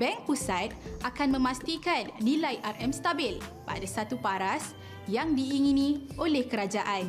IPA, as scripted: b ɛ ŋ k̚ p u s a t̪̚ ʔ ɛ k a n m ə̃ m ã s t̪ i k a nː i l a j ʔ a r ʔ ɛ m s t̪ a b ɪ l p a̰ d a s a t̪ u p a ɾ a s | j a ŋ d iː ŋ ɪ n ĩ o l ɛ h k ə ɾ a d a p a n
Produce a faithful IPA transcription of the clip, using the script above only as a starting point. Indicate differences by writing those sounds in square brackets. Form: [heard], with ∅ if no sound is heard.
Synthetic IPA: b ɛ ŋ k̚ p u s a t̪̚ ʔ [a] k a n m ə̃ m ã s t̪ i k a nː i l a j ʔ a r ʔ ɛ m s t̪ a b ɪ l p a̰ d a s a t̪ u p a ɾ a s | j a ŋ d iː ŋ [i] n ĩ o l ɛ h k ə ɾ a [d͡ʒ] a [ʔ] a n